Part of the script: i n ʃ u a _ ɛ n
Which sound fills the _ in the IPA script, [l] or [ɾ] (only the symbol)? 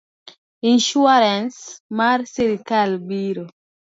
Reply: ɾ